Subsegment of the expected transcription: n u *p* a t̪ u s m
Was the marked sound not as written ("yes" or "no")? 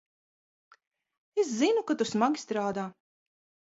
yes